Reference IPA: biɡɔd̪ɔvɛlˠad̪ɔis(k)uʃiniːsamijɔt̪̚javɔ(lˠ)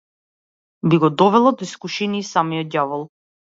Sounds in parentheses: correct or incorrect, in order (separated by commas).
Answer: correct, correct